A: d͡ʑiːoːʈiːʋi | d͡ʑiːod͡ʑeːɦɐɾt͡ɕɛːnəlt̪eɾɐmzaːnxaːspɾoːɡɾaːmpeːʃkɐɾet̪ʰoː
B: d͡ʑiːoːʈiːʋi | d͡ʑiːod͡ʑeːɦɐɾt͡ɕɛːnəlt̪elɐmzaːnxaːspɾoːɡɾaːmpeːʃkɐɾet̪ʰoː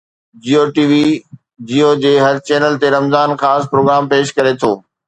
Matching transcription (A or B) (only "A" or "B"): A